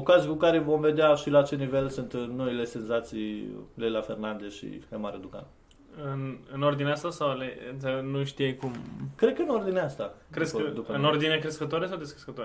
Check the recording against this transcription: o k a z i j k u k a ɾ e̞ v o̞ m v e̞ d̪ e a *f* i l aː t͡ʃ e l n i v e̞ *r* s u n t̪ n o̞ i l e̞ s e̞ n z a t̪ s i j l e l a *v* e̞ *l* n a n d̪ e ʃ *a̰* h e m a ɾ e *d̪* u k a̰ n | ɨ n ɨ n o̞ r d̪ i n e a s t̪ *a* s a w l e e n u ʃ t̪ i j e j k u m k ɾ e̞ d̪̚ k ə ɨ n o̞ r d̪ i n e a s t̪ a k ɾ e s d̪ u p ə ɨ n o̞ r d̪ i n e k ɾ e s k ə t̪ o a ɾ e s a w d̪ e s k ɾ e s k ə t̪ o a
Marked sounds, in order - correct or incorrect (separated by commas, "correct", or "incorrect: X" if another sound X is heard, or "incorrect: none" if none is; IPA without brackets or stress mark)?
incorrect: ʃ, incorrect: l, incorrect: f, incorrect: r, incorrect: ḭ, correct, correct